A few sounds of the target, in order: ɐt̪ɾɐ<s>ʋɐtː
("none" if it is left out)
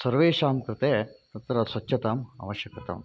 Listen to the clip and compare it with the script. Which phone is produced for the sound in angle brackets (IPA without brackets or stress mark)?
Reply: s